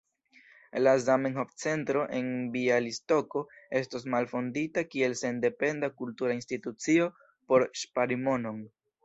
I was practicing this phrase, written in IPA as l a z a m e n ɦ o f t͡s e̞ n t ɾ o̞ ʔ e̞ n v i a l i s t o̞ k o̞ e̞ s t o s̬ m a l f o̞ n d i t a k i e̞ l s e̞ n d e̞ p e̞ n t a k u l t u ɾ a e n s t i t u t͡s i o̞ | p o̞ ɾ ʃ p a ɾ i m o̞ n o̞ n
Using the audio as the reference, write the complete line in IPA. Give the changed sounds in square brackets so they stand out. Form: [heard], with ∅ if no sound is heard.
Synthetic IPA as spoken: l a z a m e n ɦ o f t͡s e̞ n t ɾ o̞ ʔ e̞ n [b] i a l i s t o̞ k o̞ e̞ s t o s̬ m a l f o̞ n d i t a k i e̞ l s e̞ n d e̞ p e̞ n [d] a k u l t u ɾ a [i] n s t i t u t͡s i o̞ | p o̞ ɾ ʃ p a ɾ i m o̞ n o̞ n